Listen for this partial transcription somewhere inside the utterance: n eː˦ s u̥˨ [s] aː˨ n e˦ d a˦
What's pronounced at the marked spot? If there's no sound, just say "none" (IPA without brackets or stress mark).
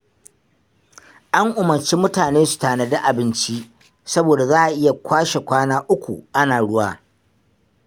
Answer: t